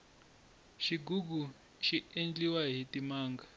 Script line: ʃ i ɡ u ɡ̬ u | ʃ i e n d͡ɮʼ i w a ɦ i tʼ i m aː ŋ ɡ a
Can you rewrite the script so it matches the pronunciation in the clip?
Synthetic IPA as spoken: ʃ i ɡ u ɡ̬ u | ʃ i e n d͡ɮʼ i w a ɦ i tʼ i m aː ŋ ɡ a